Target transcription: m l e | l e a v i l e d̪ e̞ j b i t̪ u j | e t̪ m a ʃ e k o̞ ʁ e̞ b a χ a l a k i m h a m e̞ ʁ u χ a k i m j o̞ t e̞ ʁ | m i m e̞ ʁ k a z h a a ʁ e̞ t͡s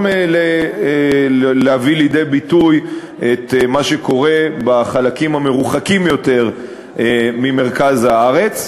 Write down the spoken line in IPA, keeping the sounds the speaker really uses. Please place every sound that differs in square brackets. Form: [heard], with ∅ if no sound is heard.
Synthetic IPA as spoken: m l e | l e a v i l [i] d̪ e̞ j b i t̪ u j | e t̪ m a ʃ e k o̞ ʁ e̞ b a χ a l a k i m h a m e̞ ʁ u χ a k i m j o̞ t e̞ ʁ | m i m e̞ ʁ k a z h a a ʁ e̞ t͡s

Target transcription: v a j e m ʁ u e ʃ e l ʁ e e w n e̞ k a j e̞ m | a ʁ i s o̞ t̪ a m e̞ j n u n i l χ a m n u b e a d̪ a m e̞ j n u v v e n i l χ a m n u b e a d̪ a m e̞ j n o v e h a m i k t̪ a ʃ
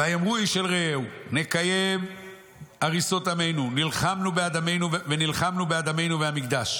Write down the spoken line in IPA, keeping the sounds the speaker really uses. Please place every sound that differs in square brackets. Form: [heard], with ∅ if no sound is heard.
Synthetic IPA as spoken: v a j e m ʁ u [i] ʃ e l ʁ e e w n e̞ k a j e̞ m | a ʁ i s o̞ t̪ a m e̞ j n u n i l χ a m n u b e a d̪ a m e̞ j n u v v e n i l χ a m n u b e a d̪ a m e̞ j n [u] v e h a m i k [d̪] a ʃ

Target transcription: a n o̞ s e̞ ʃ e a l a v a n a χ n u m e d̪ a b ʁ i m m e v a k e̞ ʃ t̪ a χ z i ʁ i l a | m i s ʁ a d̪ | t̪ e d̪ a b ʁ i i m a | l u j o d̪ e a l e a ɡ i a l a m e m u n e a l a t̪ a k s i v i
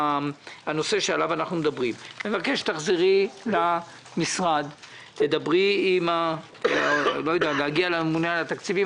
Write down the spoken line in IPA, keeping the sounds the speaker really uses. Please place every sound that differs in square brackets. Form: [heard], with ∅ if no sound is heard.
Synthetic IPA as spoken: a n o̞ s e̞ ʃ e a l a v a n a χ n u m e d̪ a b ʁ i m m e v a k e̞ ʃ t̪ a χ z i ʁ i l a | m i s ʁ a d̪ | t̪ e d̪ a b ʁ i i m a | l [o] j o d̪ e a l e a ɡ i a l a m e m u n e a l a t̪ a k [t͡s] i v i

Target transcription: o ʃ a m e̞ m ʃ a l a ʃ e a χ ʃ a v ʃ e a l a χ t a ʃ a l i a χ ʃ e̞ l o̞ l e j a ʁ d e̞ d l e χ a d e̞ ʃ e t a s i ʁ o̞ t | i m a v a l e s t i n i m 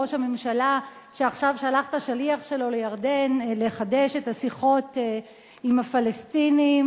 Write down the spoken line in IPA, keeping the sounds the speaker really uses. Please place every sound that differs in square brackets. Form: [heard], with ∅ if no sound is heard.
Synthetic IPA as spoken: o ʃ a m e̞ m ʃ a l a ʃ e a χ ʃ a v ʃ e a l a χ t a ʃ a l i a χ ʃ e̞ l o̞ l e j a ʁ d e̞ [n] l e χ a d e̞ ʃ e t a s i [χ] o̞ t | i m a [f] a l e s t i n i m

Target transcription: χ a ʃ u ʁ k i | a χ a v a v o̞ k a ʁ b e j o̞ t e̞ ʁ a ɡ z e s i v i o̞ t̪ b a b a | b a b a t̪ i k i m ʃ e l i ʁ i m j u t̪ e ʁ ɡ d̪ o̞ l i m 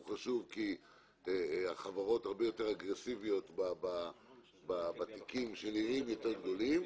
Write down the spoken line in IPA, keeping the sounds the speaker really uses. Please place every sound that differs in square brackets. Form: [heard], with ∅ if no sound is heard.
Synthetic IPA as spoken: χ a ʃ u [v] k i | a χ a v a [ʁ] o̞ [t] a ʁ b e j o̞ t e̞ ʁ a ɡ [ʁ] e s i v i o̞ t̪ b a b a | b a b a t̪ i k i m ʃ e l i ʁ i m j [o] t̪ e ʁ ɡ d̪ o̞ l i m

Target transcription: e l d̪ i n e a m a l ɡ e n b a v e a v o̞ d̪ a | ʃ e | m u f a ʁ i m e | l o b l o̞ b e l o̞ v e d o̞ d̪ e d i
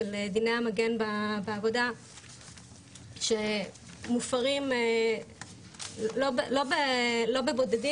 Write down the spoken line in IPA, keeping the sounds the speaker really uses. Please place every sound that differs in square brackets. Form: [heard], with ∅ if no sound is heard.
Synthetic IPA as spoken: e l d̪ i n e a m a [∅] ɡ e n b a [b] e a v o̞ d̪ a | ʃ e | m u f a ʁ i m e | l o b l o̞ b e l o̞ [b] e [b] o̞ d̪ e d i

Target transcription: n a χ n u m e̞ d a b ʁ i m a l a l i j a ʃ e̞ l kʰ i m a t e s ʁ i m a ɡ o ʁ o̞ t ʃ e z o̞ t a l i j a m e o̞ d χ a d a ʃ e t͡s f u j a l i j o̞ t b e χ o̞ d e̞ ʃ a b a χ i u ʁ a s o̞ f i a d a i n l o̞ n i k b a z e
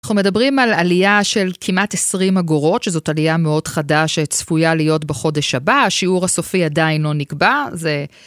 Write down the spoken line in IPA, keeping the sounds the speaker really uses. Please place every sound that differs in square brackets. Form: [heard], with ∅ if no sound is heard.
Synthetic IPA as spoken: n a χ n u m e̞ d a b ʁ i m a l a l i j a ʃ e̞ l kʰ i m a t e s ʁ i m a ɡ o ʁ o̞ t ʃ e z o̞ t a l i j a m e o̞ d χ a d a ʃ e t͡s f u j a l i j o̞ t b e χ o̞ d e̞ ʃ a b a [ʃ] i u ʁ a s o̞ f i a d a i n l o̞ n i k b a z e

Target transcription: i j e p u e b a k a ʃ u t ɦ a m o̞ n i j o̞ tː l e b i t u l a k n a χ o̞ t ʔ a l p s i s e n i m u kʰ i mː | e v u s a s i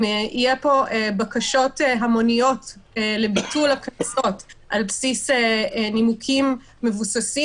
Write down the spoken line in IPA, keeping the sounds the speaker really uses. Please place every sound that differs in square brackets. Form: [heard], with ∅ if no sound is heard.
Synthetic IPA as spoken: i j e p [o] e b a k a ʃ [o] t ɦ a m o̞ n i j o̞ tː l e b i t u l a k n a [s] o̞ t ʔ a l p s i s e n i m u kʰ i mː | e v u s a s i

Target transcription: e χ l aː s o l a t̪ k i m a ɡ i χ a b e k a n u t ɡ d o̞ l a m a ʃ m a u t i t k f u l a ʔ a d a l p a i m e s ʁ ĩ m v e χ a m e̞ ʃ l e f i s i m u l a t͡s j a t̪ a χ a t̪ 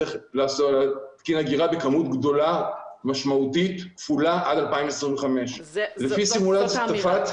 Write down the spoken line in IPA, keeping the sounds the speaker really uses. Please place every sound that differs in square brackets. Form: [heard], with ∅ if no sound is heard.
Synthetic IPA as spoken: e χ l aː s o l a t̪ k i [n] a ɡ i [ʁ] a b e k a [m] u t ɡ d o̞ l a m a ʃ m a u t i t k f u l a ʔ a d a l p a i m e s ʁ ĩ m v e χ a m e̞ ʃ l e f i s i m u l a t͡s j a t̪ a [f] a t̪

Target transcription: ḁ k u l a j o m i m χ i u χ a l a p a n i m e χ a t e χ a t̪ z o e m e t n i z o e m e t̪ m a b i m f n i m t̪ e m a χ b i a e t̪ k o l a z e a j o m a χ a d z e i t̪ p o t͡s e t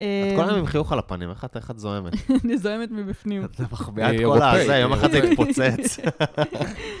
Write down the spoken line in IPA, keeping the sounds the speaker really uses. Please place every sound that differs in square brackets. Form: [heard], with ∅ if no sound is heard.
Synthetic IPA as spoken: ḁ k [o] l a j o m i m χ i u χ a l a p a n i m e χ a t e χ a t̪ z o e m e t n i z o e m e t̪ m [i] b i [∅] f n i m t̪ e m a χ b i a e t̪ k o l a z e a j o m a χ a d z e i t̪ p o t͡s e [t͡s]

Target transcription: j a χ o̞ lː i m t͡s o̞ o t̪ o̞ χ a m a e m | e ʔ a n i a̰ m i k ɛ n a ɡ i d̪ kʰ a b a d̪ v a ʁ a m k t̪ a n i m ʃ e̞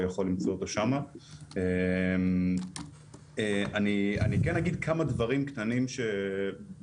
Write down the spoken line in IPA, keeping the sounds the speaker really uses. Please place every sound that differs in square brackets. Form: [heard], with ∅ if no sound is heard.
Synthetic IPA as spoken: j a χ o̞ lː i m t͡s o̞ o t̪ o̞ [ʃ] a m a e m | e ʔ a n i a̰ [n] i k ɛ n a ɡ i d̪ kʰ a [m] a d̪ v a ʁ [i] m k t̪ a n i m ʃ e̞

